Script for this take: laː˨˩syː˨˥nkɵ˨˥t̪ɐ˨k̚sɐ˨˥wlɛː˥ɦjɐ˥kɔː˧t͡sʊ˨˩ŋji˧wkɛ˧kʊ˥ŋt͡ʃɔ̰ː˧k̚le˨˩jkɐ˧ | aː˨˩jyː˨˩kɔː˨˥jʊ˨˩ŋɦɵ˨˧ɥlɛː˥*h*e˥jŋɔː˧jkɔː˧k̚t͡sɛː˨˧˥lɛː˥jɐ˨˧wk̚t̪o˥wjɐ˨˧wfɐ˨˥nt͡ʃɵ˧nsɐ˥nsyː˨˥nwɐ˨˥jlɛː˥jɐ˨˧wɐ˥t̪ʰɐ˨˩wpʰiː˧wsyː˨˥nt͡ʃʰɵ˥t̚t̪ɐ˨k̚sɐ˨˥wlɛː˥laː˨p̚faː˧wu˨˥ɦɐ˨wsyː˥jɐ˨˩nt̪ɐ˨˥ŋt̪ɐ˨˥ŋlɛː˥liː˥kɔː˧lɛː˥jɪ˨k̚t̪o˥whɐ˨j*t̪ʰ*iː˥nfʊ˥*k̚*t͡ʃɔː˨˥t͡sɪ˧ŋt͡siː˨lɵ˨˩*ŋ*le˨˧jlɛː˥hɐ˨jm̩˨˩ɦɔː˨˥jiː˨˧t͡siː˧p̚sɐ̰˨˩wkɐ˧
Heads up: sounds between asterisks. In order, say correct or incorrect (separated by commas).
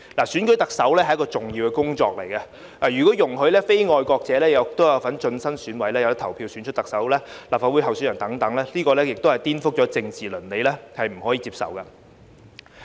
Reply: incorrect, incorrect, correct, incorrect